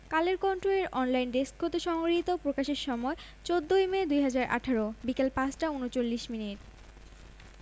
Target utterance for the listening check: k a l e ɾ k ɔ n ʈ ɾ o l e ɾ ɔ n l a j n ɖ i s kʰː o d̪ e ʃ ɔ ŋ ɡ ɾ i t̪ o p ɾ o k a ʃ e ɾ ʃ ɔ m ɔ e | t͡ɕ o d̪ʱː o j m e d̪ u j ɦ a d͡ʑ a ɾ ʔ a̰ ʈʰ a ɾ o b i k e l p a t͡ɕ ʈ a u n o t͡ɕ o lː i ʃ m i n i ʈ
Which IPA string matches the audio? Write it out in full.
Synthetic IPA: k a l e ɾ k ɔ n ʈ ɾ o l e ɾ ɔ n l a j n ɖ e s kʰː o t̪ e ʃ ɔ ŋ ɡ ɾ i t̪ o p ɾ o k a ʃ e ɾ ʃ ɔ m ɔ e | t͡ɕ o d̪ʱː o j m e d̪ u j ɦ a d͡ʑ a ɾ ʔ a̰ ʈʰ a ɾ o b i k e l p a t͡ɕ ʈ a u n o t͡ɕ o lː i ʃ m i n i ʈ

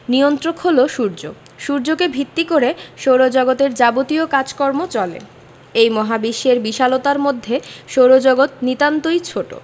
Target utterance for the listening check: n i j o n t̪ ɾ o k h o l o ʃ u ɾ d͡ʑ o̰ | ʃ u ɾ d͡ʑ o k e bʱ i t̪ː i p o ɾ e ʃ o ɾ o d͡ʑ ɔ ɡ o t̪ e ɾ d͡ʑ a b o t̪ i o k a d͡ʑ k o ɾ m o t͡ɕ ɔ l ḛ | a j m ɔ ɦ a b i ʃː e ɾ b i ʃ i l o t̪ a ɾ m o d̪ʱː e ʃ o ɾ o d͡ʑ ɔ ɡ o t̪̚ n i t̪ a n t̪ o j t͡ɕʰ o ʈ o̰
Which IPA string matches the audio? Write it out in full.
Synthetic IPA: n i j o n t̪ ɾ o k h o l o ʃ u ɾ d͡ʑ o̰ | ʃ u ɾ d͡ʑ o k e bʱ i t̪ː i k o ɾ e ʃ o ɾ o d͡ʑ ɔ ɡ o t̪ e ɾ d͡ʑ a b o t̪ i o k a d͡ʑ k ɔ ɾ m o t͡ɕ ɔ l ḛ | e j m ɔ ɦ a b i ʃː e ɾ b i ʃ a l o t̪ a ɾ m o d̪ʱː e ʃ o ɾ o d͡ʑ ɔ ɡ o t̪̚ n i t̪ a n t̪ o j t͡ɕʰ o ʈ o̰

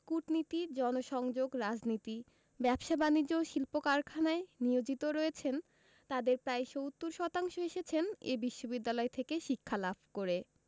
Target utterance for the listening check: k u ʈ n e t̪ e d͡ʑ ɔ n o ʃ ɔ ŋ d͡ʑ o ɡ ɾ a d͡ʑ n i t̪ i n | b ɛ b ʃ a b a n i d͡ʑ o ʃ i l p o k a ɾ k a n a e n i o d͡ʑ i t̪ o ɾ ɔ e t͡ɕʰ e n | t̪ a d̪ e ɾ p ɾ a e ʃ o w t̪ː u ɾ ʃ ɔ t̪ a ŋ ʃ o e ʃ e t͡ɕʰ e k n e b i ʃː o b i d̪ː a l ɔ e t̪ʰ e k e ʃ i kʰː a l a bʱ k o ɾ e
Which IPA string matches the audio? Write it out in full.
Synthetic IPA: k u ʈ n i t̪ i d͡ʑ ɔ n o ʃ ɔ ŋ d͡ʑ o ɡ ɾ a d͡ʑ n i t̪ i | b ɛ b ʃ a b a n i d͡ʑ o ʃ i l p o k a ɾ kʰ a n a e n i o d͡ʑ i t̪ o ɾ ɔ e t͡ɕʰ e n | t̪ a d̪ e ɾ p ɾ a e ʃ o w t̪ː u ɾ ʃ ɔ t̪ a ŋ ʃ o e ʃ e t͡ɕʰ e n e b i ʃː o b i d̪ː a l ɔ e t̪ʰ e k e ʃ i kʰː a l a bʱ k o ɾ e

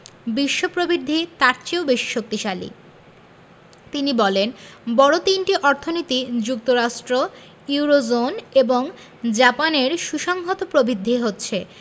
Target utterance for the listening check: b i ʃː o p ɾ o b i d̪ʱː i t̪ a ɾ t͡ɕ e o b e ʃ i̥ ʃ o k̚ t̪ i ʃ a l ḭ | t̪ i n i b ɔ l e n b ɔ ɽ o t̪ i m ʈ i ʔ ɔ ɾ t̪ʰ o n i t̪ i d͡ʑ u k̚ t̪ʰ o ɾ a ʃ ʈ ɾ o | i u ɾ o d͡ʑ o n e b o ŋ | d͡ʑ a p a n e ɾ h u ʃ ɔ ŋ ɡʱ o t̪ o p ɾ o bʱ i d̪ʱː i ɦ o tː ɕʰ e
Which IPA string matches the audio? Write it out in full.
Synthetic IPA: b i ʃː o p ɾ o b i d̪ʱː i t̪ a ɾ t͡ɕ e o b e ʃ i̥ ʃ o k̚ t̪ i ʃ a l ḭ | t̪ i n i b ɔ l e n b ɔ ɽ o t̪ i n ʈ i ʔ ɔ ɾ t̪ʰ o n i t̪ i d͡ʑ u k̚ t̪ o ɾ a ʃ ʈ ɾ o | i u ɾ o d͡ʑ o n e b o ŋ | d͡ʑ a p a n e ɾ ʃ u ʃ ɔ ŋ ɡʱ o t̪ o p ɾ o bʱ i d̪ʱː i ɦ o tː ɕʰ e

